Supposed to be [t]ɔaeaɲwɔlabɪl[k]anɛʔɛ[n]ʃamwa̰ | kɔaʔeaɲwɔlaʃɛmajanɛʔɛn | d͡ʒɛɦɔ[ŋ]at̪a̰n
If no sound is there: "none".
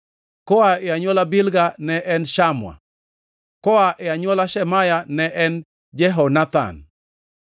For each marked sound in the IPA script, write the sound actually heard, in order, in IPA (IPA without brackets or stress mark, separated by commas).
k, ɡ, n, n